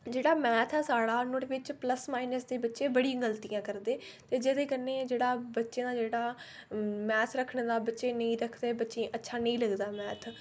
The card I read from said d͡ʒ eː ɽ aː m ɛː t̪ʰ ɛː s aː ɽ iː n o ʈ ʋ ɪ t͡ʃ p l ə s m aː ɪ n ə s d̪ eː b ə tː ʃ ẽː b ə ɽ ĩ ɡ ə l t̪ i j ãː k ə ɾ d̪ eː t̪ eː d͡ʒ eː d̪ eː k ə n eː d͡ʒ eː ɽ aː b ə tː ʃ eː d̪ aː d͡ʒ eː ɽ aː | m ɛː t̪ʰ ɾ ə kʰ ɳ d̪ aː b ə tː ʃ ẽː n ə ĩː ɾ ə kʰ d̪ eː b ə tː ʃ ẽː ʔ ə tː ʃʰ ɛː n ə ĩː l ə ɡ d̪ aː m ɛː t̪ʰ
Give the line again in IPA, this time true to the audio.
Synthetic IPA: d͡ʒ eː ɽ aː m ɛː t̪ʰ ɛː s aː ɽ aː n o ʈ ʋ ɪ t͡ʃ p l ə s m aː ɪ n ə s d̪ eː b ə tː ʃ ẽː b ə ɽ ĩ ɡ ə l t̪ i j ãː k ə ɾ d̪ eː t̪ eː d͡ʒ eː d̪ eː k ə n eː d͡ʒ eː ɽ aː b ə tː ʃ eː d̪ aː d͡ʒ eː ɽ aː | m ɛː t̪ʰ ɾ ə kʰ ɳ d̪ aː b ə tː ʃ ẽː n ə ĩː ɾ ə kʰ d̪ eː b ə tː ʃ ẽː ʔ ə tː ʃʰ aː n ə ĩː l ə ɡ d̪ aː m ɛː t̪ʰ